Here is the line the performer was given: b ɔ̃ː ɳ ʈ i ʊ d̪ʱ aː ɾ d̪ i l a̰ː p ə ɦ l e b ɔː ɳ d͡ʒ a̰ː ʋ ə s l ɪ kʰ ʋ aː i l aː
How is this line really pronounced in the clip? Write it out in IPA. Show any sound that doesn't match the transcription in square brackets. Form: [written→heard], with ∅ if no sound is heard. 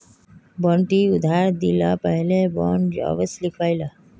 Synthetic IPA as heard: b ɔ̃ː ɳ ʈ i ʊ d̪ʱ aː ɾ d̪ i l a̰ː p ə ɦ l e b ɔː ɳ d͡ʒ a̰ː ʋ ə s l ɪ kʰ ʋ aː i l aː